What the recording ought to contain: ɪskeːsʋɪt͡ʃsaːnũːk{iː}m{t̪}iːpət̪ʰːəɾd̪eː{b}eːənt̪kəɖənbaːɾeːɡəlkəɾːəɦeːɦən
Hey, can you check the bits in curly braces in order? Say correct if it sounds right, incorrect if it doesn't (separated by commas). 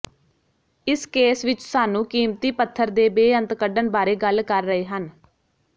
correct, correct, correct